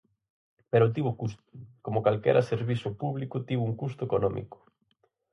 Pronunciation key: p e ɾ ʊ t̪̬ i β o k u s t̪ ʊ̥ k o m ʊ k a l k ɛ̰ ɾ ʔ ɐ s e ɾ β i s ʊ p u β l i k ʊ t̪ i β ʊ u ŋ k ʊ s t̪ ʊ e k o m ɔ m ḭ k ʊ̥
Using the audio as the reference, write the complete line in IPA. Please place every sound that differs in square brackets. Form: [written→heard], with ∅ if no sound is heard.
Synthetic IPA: p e ɾ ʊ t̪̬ i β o k u s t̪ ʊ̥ k o m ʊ k a l k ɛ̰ ɾ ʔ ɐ s e ɾ β i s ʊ p u β l i k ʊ t̪ i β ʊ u ŋ k [ʊ→u] s t̪ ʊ e k o [m→n] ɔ m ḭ k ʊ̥